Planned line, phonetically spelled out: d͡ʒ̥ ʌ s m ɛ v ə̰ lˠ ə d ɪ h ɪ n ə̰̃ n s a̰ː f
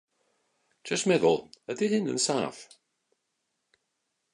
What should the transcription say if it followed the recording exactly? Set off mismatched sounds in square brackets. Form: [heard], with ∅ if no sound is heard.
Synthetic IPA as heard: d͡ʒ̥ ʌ s m ɛ [ð] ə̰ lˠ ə d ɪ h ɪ n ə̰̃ n s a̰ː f